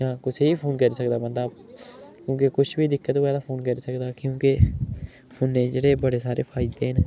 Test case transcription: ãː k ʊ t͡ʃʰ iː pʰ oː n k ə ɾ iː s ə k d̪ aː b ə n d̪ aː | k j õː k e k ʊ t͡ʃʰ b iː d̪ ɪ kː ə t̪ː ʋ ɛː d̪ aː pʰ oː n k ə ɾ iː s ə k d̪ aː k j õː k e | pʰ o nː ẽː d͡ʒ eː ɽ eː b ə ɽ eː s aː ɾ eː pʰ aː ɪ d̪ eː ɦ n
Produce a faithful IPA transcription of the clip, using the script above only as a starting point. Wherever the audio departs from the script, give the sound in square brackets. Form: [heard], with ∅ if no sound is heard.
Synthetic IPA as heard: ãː k ʊ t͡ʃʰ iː pʰ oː n k ə ɾ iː s ə k d̪ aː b ə n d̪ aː | k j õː k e k ʊ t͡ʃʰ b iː d̪ ɪ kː ə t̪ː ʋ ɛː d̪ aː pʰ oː n k ə ɾ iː s ə k d̪ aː k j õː k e | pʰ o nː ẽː d͡ʒ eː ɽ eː b ə ɽ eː s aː ɾ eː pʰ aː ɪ d̪ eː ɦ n

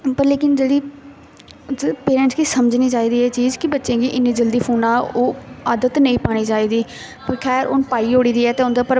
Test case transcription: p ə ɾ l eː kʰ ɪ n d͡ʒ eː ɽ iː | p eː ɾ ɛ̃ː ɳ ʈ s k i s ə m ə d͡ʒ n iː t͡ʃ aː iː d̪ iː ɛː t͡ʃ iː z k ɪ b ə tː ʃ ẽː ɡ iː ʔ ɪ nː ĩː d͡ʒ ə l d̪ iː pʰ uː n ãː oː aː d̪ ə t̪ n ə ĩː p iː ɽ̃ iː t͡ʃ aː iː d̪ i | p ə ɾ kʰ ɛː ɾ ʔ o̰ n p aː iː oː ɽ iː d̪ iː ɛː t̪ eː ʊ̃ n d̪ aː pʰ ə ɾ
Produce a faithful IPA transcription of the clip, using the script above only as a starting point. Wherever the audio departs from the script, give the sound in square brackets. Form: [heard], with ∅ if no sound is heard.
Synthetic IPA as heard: p ə ɾ l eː [k] ɪ n d͡ʒ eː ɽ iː | p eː ɾ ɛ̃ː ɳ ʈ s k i s ə m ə d͡ʒ n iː t͡ʃ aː iː d̪ iː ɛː t͡ʃ iː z k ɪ b ə tː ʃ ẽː ɡ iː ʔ ɪ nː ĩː d͡ʒ ə l d̪ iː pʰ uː n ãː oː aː d̪ ə t̪ n ə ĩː p [aː] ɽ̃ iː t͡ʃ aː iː d̪ [iː] | p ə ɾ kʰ ɛː ɾ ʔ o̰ n p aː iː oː ɽ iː d̪ iː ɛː t̪ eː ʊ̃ n d̪ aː [p] ə ɾ

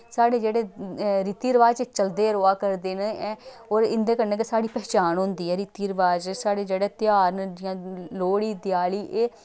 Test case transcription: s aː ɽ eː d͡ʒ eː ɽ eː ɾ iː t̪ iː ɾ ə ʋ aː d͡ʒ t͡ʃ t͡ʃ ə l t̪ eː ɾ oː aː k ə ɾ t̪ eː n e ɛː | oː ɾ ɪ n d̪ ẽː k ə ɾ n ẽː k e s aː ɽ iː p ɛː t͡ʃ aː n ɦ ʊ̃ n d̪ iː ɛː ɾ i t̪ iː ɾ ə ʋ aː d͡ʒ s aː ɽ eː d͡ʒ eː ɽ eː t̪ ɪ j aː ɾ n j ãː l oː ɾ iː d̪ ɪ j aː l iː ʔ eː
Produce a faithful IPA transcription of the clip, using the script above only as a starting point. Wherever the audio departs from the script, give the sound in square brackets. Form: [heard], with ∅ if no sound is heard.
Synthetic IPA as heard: s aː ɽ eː d͡ʒ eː ɽ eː ɾ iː t̪ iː ɾ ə ʋ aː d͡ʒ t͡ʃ t͡ʃ ə l [d̪] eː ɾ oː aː k ə ɾ [d̪] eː n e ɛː | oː ɾ ɪ n d̪ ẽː k ə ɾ n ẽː k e s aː ɽ iː p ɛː t͡ʃ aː n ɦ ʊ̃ n d̪ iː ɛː ɾ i t̪ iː ɾ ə ʋ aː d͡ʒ s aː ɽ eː d͡ʒ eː ɽ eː t̪ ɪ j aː ɾ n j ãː l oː [ɽ] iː d̪ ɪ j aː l iː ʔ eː

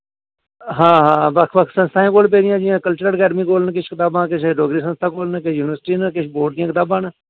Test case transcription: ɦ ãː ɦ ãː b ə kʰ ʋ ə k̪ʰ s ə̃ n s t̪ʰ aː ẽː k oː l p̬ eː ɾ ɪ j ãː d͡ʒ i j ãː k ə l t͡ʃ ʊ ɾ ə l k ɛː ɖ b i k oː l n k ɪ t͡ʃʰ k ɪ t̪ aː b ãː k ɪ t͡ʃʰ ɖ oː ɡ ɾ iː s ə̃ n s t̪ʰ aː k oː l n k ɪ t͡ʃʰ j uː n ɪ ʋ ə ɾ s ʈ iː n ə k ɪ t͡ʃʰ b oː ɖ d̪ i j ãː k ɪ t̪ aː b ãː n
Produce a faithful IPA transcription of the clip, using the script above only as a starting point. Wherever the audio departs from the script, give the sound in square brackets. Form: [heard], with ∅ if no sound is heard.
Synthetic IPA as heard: ɦ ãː ɦ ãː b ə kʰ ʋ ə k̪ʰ s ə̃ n s t̪ʰ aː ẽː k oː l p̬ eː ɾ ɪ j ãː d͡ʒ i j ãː k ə l t͡ʃ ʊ ɾ ə l k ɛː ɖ [m] i k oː l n k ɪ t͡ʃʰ k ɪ t̪ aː b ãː k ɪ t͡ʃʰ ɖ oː ɡ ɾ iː s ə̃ n s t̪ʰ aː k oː l n k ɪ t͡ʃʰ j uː n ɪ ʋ ə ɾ s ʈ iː n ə k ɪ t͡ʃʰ b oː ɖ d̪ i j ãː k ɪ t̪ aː b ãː n

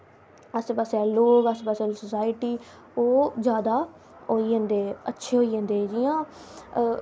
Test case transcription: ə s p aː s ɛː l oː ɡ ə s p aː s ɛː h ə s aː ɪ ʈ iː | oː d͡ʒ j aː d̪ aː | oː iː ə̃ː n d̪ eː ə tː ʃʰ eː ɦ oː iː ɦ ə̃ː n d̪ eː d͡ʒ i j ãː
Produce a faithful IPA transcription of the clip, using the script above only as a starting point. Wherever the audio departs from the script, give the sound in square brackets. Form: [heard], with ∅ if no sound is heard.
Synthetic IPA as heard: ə s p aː s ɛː l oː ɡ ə s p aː s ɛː [s] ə s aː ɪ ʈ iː | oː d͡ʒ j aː d̪ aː | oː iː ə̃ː n d̪ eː ə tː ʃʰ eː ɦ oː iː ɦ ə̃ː n d̪ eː d͡ʒ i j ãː

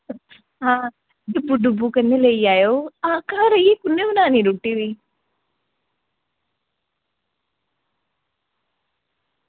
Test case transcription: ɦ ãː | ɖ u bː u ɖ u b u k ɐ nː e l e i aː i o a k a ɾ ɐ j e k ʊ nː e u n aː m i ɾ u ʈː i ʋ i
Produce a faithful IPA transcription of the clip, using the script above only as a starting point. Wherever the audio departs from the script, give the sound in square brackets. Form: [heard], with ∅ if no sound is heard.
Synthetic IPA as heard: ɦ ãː | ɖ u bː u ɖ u b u k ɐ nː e l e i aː [j] o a k a ɾ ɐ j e k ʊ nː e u n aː [n] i ɾ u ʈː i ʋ i

